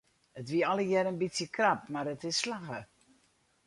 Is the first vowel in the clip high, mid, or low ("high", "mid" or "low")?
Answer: mid